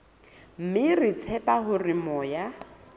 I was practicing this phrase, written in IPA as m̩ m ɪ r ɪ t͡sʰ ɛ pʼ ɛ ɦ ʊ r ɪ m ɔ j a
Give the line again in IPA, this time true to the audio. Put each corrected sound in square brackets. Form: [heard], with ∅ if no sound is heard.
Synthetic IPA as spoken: m̩ m ɪ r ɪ t͡sʰ ɛ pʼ [a] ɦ ʊ r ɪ m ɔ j a